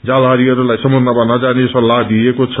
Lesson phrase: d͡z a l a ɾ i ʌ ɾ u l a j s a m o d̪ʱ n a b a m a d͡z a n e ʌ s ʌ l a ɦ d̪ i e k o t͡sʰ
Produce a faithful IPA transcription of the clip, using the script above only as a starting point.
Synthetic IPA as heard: d͡z a l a ɾ i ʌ ɾ u l a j s ʌ m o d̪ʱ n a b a n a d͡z a n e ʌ s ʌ l a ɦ d̪ i e k o t͡sʰ